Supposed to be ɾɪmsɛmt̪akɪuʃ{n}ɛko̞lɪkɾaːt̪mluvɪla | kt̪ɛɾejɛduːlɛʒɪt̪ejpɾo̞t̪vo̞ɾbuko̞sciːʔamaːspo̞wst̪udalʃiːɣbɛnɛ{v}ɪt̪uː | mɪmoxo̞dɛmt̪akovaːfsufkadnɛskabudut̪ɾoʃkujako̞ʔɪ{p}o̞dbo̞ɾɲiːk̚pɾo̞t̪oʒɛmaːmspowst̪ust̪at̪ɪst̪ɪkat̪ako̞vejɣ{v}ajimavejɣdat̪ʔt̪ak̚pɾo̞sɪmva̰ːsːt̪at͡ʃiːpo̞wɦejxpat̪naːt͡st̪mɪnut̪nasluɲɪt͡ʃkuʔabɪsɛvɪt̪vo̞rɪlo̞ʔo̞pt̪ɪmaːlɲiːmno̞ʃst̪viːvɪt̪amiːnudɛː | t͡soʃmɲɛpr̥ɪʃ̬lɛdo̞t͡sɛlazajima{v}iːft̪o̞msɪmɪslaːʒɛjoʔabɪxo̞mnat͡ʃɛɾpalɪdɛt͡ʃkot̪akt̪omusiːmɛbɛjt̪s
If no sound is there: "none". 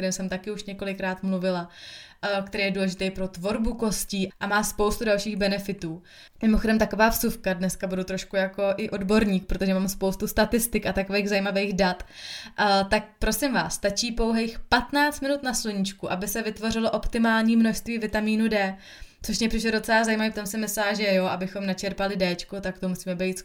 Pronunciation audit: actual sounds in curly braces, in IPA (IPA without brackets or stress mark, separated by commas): ɲ, f, ʔ, z, v